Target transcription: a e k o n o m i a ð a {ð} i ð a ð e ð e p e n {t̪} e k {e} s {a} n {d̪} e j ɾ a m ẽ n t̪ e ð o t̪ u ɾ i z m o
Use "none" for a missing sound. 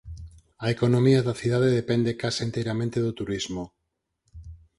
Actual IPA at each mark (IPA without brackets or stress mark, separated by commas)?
θ, d̪, a, e, t̪